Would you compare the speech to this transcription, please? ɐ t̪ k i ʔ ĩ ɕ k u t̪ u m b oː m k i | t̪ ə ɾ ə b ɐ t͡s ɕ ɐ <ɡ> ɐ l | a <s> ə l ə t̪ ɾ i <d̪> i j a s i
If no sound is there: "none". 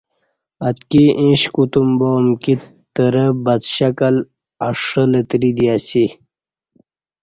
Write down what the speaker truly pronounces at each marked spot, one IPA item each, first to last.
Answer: k, ʂ, d̪

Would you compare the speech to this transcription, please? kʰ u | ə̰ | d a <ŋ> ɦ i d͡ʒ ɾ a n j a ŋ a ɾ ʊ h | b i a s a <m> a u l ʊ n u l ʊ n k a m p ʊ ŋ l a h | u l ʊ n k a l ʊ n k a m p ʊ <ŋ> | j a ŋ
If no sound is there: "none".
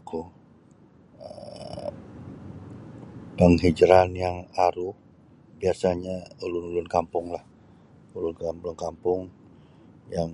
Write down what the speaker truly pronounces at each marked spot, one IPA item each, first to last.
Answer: ŋ, ɲ, ŋ

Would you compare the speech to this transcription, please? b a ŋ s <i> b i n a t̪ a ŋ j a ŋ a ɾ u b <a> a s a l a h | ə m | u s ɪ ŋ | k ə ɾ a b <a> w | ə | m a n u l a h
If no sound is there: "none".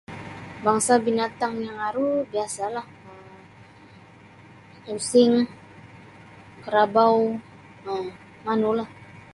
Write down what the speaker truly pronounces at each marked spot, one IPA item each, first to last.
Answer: a, i, a

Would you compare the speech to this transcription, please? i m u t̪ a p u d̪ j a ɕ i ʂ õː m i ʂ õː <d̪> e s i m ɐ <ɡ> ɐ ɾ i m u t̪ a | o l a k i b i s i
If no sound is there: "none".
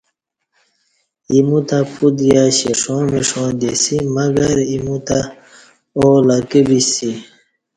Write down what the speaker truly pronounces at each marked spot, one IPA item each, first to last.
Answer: d̪, ɡ

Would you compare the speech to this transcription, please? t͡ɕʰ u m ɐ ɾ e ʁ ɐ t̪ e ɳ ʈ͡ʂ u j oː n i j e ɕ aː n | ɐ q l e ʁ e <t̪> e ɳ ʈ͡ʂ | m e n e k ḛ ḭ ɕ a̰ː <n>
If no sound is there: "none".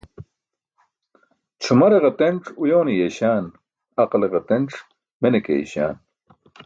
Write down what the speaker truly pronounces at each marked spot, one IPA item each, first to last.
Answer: t̪, n

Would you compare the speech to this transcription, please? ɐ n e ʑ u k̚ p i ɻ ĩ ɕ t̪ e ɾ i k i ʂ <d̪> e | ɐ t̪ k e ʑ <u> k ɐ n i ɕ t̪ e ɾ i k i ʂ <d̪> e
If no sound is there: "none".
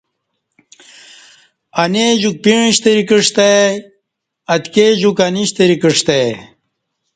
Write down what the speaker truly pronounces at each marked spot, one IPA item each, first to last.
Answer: t̪, u, t̪

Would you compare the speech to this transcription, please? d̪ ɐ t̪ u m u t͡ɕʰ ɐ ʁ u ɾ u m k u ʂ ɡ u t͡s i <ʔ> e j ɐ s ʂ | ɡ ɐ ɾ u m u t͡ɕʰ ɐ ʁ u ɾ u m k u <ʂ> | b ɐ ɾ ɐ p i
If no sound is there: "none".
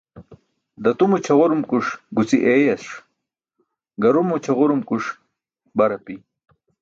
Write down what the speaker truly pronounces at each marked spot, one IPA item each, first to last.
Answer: ʔ, ʂ

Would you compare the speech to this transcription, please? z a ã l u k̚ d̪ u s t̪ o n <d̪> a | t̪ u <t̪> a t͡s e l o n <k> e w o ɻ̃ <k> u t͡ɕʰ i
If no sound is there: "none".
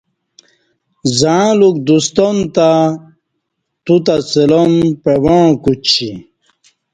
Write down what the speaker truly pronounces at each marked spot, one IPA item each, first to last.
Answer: t̪, t̪, p, k

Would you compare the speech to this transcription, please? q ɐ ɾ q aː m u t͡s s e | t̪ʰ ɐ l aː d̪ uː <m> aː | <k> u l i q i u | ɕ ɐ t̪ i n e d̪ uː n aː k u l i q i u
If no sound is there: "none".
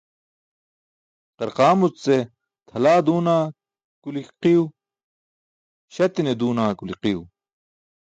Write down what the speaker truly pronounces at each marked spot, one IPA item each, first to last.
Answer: n, k

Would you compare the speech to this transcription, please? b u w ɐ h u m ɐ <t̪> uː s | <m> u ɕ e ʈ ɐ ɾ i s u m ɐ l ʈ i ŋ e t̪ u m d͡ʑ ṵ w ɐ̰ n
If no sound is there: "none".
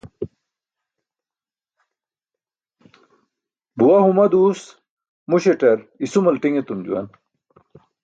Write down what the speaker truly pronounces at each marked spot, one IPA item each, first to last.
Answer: d̪, m

